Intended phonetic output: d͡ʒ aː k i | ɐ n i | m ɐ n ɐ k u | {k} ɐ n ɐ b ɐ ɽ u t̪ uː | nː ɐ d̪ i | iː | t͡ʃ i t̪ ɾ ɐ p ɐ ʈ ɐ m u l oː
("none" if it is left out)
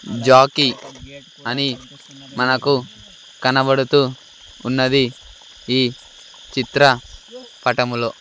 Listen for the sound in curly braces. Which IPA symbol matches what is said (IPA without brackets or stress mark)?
k